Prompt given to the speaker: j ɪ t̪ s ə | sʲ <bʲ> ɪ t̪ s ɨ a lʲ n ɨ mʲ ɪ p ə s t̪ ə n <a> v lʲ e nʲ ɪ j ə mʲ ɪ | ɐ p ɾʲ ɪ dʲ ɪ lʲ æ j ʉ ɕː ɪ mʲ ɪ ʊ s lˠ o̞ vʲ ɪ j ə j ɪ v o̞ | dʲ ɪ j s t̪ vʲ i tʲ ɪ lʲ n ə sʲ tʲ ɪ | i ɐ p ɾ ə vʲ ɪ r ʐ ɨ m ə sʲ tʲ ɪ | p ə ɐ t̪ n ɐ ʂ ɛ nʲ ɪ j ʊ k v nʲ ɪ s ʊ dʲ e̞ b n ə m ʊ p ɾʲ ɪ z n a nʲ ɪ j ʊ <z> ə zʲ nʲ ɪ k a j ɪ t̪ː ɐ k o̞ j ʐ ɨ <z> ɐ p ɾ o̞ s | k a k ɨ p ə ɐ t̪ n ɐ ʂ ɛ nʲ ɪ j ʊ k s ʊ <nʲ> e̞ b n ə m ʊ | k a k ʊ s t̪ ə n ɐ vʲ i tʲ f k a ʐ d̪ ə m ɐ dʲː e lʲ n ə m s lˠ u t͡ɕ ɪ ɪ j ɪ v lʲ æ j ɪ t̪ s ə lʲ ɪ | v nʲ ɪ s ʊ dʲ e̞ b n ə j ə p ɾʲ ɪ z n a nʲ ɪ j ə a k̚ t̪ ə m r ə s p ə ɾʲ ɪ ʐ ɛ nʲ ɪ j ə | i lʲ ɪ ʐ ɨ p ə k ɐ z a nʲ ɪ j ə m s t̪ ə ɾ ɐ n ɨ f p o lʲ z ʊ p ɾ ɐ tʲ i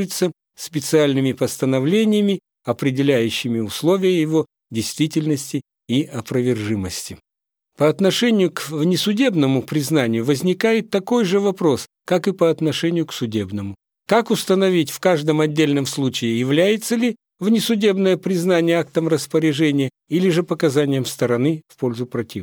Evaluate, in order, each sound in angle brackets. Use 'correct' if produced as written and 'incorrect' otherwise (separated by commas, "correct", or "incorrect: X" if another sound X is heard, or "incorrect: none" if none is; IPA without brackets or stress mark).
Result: incorrect: pʲ, incorrect: ɐ, incorrect: v, incorrect: v, incorrect: dʲ